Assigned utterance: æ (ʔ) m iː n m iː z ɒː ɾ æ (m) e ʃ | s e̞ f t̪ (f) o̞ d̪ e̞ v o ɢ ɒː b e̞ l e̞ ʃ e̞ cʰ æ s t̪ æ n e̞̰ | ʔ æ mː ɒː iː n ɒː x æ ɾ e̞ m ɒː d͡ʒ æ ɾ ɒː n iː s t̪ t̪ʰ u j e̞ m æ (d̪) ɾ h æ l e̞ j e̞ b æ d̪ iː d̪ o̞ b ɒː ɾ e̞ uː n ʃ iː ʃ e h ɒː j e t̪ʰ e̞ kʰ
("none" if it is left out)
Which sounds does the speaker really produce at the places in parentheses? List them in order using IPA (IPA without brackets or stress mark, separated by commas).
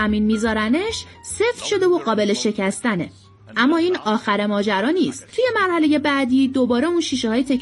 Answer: none, n, ʃ, none